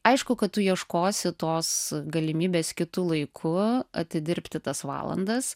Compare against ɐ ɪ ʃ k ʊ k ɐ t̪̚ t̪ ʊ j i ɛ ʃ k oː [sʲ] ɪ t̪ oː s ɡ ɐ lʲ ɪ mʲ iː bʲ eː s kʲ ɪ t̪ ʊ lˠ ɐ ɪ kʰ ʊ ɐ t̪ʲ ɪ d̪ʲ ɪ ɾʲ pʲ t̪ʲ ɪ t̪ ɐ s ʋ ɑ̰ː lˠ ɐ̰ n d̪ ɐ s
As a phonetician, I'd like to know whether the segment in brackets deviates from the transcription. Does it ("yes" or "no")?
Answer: no